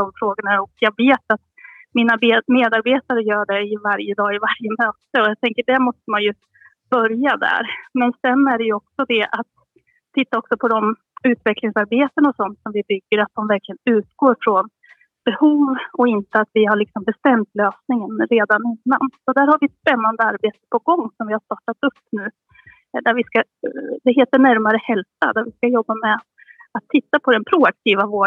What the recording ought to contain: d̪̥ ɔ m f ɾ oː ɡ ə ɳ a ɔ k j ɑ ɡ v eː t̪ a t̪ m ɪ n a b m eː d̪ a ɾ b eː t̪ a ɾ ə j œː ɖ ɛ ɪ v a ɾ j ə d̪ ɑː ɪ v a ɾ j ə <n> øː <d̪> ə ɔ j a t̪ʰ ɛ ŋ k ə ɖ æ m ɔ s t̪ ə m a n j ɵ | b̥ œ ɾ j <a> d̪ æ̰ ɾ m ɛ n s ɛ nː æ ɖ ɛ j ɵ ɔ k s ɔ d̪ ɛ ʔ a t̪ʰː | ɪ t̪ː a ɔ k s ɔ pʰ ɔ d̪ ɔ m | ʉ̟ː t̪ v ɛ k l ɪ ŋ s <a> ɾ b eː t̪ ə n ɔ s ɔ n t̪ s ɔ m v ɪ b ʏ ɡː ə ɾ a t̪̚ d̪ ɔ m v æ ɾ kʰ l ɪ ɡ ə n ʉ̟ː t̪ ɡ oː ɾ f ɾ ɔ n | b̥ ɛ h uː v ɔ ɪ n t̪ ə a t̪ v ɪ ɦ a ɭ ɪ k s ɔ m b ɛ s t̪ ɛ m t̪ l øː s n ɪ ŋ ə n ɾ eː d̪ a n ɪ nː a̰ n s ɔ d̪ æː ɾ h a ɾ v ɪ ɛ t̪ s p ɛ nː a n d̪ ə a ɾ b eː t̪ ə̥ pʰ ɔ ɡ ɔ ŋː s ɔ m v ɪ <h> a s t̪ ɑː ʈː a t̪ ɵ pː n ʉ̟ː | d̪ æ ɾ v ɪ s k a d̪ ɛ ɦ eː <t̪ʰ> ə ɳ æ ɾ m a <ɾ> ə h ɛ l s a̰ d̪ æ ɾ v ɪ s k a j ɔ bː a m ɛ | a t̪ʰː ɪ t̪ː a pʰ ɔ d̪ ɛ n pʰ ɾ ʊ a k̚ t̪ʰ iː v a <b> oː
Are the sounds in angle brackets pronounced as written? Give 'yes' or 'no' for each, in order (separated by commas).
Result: no, no, yes, yes, yes, no, yes, no